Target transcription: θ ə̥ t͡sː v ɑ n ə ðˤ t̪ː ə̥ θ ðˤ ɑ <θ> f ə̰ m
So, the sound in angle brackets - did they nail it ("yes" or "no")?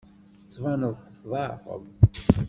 no